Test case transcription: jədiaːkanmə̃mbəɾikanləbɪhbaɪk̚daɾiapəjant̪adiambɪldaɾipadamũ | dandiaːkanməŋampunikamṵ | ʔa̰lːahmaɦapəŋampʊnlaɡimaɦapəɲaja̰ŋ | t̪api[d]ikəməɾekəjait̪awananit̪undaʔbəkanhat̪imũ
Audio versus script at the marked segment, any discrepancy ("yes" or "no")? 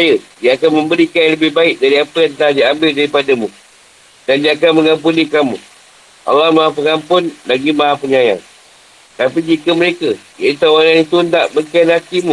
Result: yes